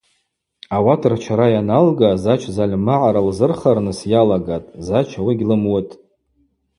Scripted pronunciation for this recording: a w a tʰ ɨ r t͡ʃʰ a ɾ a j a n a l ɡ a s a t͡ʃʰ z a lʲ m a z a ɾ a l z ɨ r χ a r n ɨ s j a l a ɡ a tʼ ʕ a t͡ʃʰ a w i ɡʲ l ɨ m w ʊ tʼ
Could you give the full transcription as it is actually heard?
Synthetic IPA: a w a tʰ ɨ r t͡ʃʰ a ɾ a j a n a l ɡ a z a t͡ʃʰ z a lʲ m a ʕ a ɾ a l z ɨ r χ a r n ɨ s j a l a ɡ a tʼ z a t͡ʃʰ a w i ɡʲ l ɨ m w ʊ tʼ

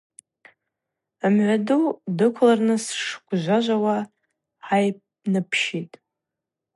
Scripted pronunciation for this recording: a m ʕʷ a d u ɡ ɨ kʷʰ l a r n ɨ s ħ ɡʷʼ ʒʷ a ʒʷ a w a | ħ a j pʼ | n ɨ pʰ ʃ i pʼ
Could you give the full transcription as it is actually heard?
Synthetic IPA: a m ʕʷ a d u d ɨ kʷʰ l a r n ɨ s ʂ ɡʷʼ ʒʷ a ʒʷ a w a | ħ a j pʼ | n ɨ pʰ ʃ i tʼ

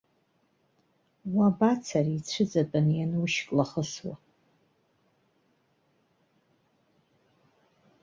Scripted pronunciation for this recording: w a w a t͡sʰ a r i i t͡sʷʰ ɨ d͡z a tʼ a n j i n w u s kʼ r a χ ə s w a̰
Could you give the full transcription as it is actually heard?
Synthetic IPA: w a b a t͡sʰ a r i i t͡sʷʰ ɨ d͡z a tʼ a n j a n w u ʃ kʼ l a χ ə s w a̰

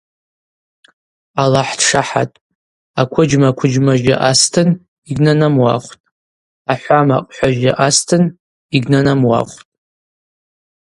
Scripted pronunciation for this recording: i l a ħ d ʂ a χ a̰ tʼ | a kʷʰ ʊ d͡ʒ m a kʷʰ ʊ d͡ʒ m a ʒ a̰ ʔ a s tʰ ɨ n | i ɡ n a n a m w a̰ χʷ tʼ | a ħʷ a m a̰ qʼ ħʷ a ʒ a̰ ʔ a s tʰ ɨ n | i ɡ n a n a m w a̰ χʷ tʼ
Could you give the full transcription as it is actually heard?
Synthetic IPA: a l a ħ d ʂ a ħ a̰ tʼ | a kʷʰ ʊ d͡ʒ m a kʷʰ ʊ d͡ʒ m a ʒ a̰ ʔ a s tʰ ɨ n | i ɡ n a n a m w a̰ χʷ tʼ | a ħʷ a m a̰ qʼ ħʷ a ʒ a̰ ʔ a s tʰ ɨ n | i ɡ n a n a m w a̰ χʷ tʼ

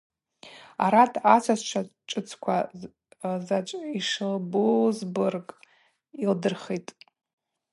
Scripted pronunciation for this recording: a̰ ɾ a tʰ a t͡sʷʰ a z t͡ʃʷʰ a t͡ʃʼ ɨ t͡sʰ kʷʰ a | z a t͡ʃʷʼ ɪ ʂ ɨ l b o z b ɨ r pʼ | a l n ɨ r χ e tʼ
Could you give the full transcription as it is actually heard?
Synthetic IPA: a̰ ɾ a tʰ a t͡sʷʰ a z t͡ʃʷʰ a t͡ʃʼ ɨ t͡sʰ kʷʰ a | z a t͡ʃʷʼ i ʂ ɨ l b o z b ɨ r kʼ | i l d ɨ r χ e tʼ

